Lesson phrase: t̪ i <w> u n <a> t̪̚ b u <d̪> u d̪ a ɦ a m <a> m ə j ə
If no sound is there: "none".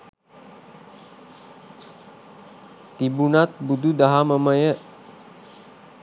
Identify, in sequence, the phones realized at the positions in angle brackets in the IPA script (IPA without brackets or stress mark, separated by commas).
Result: b, a, d̪, ə